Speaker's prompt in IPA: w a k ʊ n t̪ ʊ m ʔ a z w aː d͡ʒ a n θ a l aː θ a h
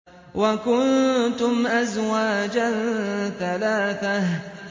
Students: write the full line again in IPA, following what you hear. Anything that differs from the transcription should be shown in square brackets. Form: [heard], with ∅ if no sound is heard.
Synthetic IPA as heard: w a k ʊ n t̪ ʊ m ʔ a z w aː d͡ʒ a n θ a l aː θ a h